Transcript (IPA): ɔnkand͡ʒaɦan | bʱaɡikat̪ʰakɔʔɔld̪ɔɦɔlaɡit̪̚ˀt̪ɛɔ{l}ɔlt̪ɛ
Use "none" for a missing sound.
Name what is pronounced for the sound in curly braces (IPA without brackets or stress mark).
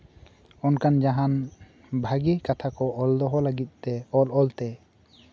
l